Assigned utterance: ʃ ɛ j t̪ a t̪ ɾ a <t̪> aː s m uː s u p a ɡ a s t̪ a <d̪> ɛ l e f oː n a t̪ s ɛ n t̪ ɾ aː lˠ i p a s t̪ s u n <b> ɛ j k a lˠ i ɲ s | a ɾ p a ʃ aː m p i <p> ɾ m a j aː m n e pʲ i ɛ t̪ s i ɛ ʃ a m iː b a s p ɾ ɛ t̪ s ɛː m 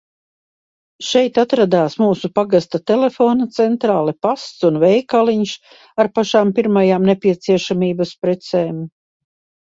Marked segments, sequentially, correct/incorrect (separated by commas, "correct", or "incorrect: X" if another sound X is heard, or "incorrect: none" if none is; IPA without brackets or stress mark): incorrect: d̪, incorrect: t̪, incorrect: v, incorrect: none